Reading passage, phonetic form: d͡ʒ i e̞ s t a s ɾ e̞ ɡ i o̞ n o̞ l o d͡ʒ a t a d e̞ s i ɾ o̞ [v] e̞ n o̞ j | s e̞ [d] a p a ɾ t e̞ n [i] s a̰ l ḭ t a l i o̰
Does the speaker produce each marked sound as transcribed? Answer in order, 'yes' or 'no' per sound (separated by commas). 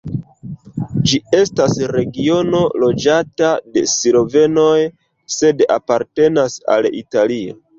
yes, yes, no